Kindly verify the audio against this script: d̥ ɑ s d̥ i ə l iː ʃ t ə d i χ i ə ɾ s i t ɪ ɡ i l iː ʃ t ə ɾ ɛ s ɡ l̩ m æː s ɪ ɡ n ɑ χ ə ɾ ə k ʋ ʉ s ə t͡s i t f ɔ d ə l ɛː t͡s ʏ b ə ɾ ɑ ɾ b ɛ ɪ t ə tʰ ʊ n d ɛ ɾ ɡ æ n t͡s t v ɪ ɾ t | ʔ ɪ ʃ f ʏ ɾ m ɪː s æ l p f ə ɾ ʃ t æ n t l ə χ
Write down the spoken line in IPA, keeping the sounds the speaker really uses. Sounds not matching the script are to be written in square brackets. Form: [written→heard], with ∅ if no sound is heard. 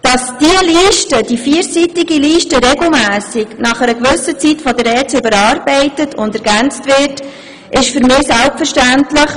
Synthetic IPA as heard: d̥ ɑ s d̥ i ə l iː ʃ t ə d i [χ→f] i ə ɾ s i t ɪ ɡ i l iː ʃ t ə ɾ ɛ [s→∅] ɡ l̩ m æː s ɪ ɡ n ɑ χ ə ɾ ə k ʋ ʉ s ə t͡s i t f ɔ d ə [l→ɾ] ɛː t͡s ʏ b ə ɾ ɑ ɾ b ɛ ɪ t ə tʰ ʊ n d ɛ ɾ ɡ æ n t͡s t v ɪ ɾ t | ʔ ɪ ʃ f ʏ ɾ m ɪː s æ l p f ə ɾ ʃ t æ n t l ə χ